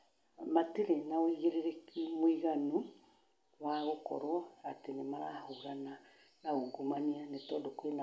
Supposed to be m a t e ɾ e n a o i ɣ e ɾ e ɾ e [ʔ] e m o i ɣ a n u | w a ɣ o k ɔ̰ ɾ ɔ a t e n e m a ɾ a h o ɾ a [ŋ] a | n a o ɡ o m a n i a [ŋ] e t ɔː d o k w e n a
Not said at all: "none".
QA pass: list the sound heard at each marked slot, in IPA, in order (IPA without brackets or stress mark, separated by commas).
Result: k, n, n